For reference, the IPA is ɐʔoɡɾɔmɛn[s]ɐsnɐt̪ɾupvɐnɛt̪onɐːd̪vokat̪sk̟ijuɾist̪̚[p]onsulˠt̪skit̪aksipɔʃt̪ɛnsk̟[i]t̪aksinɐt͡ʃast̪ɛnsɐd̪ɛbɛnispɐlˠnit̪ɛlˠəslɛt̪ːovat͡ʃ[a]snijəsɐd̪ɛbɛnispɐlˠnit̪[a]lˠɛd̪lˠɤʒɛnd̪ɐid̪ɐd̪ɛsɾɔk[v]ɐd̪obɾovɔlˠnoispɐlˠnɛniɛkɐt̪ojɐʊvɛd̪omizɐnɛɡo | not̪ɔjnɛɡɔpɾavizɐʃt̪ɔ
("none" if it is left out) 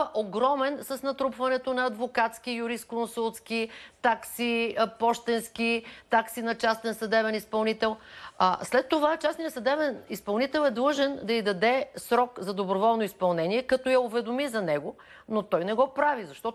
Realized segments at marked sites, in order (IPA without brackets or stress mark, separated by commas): s, k, i, a, ɛ, z